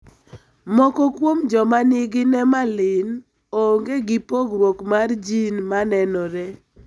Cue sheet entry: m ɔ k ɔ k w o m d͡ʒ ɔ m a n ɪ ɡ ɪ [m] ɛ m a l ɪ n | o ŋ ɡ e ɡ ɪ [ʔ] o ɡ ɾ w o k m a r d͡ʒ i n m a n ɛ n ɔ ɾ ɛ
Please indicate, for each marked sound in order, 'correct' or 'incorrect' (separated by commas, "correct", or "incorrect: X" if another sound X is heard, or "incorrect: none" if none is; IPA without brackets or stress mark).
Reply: incorrect: n, incorrect: p